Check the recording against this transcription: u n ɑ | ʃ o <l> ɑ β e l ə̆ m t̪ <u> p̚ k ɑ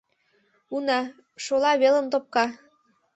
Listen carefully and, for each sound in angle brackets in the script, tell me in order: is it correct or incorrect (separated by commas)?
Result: correct, incorrect